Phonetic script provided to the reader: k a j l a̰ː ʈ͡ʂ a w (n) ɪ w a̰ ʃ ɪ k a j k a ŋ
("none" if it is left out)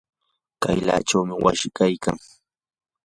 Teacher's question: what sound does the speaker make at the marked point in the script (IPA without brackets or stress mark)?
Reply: m